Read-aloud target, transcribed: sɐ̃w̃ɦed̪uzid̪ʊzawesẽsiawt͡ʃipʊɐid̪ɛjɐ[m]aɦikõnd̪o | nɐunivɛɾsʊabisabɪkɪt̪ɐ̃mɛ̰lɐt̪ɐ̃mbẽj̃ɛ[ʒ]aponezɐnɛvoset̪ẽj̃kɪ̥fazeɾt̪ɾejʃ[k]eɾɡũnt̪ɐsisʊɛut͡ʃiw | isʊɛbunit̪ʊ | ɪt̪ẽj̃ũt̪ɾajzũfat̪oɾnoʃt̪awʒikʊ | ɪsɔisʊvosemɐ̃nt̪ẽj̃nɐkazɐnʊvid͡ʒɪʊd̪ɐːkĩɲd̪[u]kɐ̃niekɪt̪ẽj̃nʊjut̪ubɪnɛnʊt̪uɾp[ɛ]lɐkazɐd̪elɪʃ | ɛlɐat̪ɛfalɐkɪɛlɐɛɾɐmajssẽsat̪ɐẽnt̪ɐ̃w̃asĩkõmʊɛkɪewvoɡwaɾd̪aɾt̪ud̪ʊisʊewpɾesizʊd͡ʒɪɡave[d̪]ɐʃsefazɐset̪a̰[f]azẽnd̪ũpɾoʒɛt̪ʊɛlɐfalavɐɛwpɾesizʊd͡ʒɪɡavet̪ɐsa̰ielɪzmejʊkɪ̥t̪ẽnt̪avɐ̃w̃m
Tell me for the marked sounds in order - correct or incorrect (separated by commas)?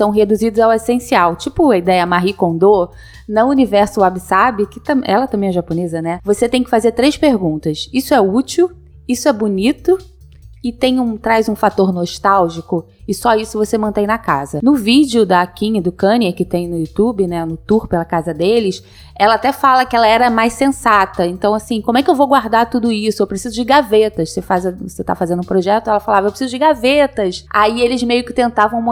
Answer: correct, correct, incorrect, incorrect, incorrect, incorrect, correct